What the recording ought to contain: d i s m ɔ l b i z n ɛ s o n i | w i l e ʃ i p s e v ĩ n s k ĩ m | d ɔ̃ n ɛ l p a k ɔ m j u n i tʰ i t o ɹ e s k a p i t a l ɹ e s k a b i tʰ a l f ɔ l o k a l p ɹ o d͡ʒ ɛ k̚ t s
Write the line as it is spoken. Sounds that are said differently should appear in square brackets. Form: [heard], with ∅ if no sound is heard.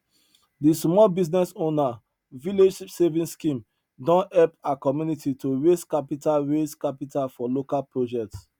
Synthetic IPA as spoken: d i s m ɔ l b i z n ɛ s o n [a] | [v] i l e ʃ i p s e v ĩ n s k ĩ m | d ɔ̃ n ɛ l p a k ɔ m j u n i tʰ i t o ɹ e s k a p i t a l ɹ e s k a [p] i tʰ a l f ɔ l o k a l p ɹ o d͡ʒ ɛ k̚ t s

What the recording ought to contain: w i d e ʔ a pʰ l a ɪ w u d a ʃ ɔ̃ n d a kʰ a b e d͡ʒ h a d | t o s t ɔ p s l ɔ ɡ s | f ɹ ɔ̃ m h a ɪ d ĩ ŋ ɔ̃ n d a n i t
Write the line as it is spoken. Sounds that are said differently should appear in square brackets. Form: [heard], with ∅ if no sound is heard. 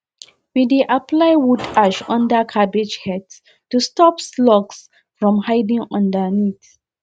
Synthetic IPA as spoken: w i d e ʔ a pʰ l a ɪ w u d a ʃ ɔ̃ n d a kʰ a b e d͡ʒ h [ɛ] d | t [u] s t ɔ p s l ɔ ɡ s | f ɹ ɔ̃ m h a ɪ d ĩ ŋ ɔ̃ n d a n i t

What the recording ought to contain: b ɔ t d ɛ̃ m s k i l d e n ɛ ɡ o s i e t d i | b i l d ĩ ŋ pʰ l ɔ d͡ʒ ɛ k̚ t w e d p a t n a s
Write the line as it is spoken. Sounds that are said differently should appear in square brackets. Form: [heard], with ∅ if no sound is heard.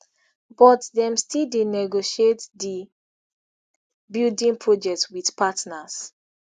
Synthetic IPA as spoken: b ɔ t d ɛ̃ m s [t] i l d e n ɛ ɡ o [ʃ] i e t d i | b i l d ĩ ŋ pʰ [ɹ] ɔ d͡ʒ ɛ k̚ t w [i] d p a t n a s

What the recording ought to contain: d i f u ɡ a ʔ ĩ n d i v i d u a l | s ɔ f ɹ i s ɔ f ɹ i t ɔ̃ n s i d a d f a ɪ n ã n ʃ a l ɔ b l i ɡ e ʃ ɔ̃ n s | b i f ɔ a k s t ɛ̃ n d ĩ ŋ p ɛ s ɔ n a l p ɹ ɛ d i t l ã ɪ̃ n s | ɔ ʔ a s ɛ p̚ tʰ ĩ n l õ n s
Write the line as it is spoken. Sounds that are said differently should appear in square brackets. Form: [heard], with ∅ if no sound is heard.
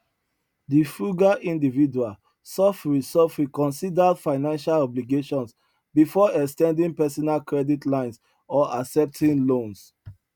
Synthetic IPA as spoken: d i f u ɡ a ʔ ĩ n d i v i d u a l | s ɔ f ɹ i s ɔ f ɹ i [k] ɔ̃ n s i d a d f a ɪ n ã n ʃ a l ɔ b l i ɡ e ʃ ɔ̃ n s | b i f ɔ [ɛ] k s t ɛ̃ n d ĩ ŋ p ɛ s ɔ n a l [k] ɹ ɛ d i t l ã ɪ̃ n s | ɔ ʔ a s ɛ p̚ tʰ ĩ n l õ n s

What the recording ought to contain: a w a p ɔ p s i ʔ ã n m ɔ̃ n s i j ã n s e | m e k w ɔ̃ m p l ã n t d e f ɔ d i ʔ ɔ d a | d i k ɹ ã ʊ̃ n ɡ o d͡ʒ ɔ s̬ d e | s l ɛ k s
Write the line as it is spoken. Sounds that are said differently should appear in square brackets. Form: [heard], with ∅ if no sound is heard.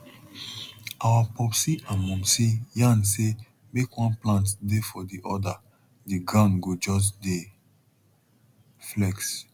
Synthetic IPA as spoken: a w a p ɔ p s i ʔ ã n m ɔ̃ [m] s i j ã n s e | m e k w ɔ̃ [n] p l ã n t d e f ɔ d i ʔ ɔ d a | d i [ɡ] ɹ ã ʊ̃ n ɡ o d͡ʒ ɔ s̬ d e | [f] l ɛ k s

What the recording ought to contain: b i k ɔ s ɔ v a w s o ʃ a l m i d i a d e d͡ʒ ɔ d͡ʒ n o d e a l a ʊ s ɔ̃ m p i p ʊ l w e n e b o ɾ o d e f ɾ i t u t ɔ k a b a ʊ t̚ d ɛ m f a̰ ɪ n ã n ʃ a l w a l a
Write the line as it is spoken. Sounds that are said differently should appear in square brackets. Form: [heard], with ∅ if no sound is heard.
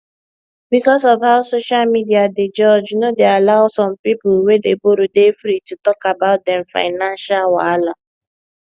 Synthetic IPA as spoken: b i k ɔ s ɔ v a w s o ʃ a l m i d i a d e d͡ʒ ɔ d͡ʒ n o d e a l a ʊ s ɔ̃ m p i p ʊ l w e [d] e b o ɾ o d e f ɾ i t u t ɔ k a b a ʊ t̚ d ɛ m f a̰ ɪ n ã n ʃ a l w a l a

